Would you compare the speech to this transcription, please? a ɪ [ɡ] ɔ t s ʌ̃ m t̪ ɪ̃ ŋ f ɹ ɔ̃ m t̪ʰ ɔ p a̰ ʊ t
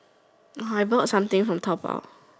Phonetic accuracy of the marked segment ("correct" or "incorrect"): incorrect